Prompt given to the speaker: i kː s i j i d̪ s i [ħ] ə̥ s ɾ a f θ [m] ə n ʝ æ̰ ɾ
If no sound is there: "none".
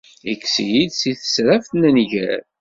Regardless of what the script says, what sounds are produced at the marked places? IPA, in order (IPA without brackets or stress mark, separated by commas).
θ, n